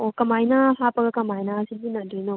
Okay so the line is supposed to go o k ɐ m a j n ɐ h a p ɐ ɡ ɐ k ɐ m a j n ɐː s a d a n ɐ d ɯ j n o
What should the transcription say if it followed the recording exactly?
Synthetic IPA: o k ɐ m a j n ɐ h a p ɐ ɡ ɐ k ɐ m a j n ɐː s i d i n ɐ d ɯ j n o

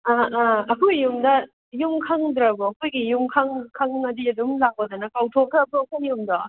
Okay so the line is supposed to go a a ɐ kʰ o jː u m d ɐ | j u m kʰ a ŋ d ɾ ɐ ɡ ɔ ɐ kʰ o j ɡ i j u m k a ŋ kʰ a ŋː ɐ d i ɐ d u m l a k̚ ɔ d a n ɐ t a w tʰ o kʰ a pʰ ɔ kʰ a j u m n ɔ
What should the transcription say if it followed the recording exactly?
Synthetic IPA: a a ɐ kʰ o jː u m d ɐ | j u m kʰ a ŋ d ɾ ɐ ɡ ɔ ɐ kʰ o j ɡ i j u m kʰ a ŋ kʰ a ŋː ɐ d i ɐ d u m l a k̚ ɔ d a n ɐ k a w tʰ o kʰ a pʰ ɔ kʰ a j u m d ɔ

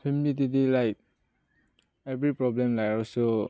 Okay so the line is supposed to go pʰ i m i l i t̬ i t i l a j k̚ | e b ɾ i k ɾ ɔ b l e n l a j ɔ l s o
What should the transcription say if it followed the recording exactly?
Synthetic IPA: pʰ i m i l i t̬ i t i l a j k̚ | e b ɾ i p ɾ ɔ b l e m l a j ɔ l s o

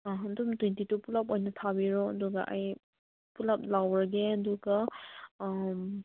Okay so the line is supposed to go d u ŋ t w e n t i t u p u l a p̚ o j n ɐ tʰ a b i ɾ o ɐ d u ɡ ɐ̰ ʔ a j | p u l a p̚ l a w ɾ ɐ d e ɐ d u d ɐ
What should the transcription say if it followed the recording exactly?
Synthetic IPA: d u m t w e n t i t u p u l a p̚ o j n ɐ tʰ a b i ɾ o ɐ d u ɡ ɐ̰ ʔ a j | p u l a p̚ l a w ɾ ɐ ɡ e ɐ d u ɡ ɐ

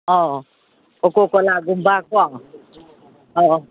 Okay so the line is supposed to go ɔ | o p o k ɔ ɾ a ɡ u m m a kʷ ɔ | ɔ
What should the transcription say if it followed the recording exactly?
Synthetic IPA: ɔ | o k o k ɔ l a ɡ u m b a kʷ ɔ | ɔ

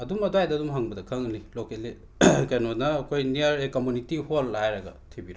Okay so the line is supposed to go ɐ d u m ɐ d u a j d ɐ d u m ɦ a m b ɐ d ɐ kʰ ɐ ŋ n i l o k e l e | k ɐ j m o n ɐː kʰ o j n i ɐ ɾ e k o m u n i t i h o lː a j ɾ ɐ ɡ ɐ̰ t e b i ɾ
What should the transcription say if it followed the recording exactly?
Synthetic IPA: ɐ d u m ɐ d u a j d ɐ d u m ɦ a ŋ b ɐ d ɐ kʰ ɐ ŋ n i l o k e l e | k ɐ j n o n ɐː kʰ o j n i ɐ ɾ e k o m u n i t i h o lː a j ɾ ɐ ɡ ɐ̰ tʰ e b i ɾ

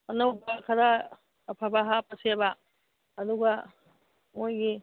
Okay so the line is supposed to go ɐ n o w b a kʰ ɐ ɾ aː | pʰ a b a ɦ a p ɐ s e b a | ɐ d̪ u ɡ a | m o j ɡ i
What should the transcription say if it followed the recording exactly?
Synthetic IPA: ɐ n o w b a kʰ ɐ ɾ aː | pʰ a b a ɦ a p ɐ s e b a | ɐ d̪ u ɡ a | m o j ɡ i

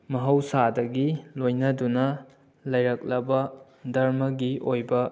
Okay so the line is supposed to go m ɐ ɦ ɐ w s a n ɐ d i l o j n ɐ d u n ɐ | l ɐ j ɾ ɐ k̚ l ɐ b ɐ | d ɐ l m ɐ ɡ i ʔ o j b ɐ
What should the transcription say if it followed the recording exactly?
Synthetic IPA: m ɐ ɦ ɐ w s a d ɐ ɡ i l o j n ɐ d u n ɐ | l ɐ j ɾ ɐ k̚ l ɐ b ɐ | d ɐ ɾ m ɐ ɡ i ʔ o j b ɐ

